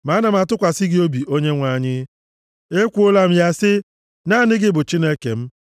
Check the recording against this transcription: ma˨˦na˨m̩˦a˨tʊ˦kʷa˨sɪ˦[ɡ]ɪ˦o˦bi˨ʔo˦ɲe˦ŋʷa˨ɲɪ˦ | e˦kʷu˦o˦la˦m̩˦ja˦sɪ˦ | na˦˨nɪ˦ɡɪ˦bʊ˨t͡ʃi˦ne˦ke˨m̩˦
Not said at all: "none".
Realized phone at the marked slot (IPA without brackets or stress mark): ɡ